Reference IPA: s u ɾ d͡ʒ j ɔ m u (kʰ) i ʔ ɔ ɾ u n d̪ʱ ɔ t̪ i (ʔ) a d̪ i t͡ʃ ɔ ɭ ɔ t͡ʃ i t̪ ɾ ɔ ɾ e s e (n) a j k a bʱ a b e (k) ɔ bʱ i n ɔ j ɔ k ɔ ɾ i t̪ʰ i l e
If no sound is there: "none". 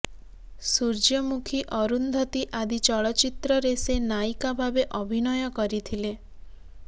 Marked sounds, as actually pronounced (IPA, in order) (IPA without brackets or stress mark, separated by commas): kʰ, ʔ, n, ʔ